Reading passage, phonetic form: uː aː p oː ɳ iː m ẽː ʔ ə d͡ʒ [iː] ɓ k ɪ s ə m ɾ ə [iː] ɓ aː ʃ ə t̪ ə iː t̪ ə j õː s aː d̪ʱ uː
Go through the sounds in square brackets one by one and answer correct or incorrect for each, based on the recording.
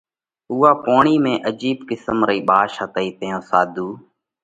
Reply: correct, correct

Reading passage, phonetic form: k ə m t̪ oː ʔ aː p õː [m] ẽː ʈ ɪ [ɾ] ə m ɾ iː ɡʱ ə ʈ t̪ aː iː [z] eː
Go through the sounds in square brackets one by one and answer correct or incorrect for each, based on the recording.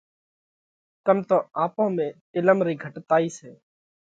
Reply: correct, incorrect: l, incorrect: s

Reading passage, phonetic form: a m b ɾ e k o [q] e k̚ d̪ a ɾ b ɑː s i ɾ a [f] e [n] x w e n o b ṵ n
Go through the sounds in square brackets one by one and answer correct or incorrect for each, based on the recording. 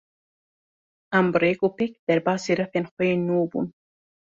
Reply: incorrect: p, correct, correct

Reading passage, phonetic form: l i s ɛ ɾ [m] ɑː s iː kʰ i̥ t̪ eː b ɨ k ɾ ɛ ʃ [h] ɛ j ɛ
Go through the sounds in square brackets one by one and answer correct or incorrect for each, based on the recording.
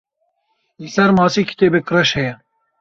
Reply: correct, correct

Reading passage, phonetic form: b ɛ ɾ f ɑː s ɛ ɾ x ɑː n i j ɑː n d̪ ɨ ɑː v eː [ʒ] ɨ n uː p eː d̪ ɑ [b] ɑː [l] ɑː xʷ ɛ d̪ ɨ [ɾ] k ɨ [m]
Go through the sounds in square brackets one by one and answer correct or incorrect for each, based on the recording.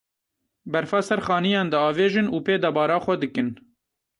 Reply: correct, correct, incorrect: ɾ, incorrect: none, incorrect: n

